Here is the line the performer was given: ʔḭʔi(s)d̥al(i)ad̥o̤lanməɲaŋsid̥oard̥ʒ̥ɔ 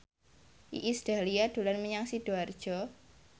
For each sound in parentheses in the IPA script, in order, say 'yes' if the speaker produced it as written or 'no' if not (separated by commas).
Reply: yes, yes